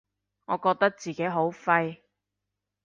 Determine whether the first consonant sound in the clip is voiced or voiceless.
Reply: voiced